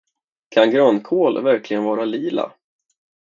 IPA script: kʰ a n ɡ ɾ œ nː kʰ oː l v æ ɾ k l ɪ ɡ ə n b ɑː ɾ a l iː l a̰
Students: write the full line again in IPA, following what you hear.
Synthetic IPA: kʰ a n ɡ ɾ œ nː kʰ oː l v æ ɾ k l ɪ ɡ ə n v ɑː ɾ a l iː l a̰

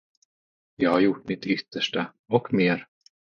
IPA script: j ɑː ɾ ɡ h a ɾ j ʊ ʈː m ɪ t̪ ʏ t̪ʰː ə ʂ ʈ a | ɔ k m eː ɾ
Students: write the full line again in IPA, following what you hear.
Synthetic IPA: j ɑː ɡ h a ɾ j ʊ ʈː m ɪ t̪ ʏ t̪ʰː ə ʂ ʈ a | ɔ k m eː ɾ

